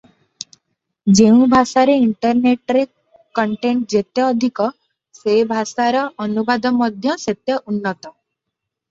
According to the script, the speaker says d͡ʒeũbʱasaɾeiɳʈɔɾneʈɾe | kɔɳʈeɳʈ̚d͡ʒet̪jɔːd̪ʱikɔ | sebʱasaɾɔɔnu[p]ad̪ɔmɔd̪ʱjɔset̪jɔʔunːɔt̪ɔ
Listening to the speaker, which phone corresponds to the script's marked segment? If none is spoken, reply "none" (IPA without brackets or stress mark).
b